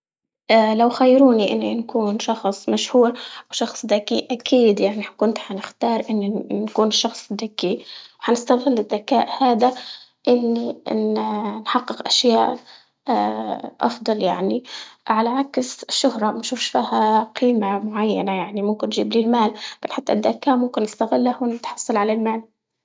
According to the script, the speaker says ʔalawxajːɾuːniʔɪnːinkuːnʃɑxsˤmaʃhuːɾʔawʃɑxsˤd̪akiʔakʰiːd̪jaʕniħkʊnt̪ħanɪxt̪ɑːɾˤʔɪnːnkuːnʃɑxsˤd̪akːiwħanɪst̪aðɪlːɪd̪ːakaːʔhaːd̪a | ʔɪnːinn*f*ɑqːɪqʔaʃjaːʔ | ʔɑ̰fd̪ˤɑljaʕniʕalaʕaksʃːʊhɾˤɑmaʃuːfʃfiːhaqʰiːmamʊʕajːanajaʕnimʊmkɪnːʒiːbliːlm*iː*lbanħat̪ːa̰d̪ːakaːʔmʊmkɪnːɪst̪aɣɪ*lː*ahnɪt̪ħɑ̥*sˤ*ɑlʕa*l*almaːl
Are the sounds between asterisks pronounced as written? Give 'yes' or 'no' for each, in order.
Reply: no, no, yes, no, yes

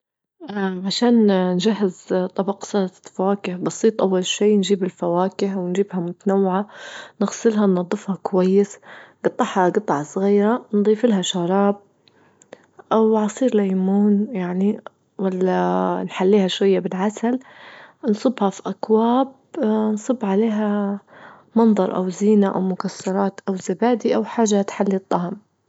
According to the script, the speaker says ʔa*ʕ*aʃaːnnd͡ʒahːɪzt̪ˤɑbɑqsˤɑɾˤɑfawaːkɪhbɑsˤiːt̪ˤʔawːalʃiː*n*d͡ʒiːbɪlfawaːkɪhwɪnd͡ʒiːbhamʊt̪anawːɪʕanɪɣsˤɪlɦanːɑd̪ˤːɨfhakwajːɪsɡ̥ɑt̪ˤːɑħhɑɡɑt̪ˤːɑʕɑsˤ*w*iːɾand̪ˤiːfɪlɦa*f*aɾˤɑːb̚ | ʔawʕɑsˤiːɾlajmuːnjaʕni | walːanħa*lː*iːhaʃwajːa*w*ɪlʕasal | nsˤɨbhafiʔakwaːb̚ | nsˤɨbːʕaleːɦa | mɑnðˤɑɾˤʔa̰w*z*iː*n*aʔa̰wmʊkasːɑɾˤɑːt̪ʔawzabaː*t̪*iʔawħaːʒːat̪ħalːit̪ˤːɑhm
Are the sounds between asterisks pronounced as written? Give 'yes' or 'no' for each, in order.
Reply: yes, yes, no, no, yes, no, yes, yes, no

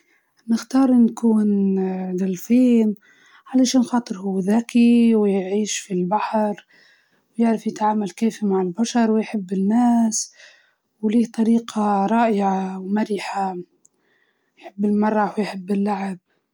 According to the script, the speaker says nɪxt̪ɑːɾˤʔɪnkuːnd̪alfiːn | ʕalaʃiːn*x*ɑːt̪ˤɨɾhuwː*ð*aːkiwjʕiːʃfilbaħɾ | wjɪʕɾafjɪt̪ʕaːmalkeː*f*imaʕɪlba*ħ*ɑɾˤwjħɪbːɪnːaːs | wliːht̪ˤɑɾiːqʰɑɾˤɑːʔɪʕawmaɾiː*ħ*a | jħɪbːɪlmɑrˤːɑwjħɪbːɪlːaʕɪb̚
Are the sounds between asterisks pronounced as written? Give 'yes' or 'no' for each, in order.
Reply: yes, yes, yes, no, yes

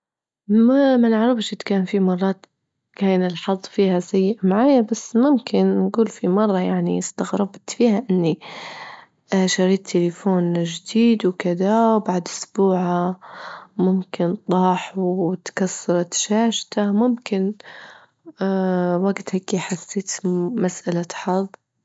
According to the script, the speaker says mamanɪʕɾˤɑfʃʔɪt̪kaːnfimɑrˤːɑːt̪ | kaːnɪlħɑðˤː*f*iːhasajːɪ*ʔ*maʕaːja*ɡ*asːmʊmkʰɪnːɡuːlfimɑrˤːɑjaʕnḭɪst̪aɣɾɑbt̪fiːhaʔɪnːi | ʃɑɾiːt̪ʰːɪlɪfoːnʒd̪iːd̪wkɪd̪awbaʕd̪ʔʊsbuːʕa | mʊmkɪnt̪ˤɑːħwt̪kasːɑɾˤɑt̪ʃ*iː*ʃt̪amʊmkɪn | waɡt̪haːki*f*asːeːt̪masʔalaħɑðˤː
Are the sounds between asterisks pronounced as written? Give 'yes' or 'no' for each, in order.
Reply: yes, yes, no, no, no

